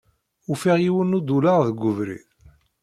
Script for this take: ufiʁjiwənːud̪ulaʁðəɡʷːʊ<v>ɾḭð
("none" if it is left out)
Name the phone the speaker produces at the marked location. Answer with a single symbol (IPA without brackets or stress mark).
v